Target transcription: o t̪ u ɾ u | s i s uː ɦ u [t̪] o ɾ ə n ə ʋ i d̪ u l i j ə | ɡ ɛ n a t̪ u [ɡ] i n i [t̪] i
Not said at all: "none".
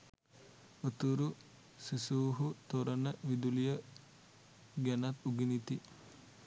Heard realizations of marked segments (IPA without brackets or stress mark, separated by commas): t̪, ɡ, t̪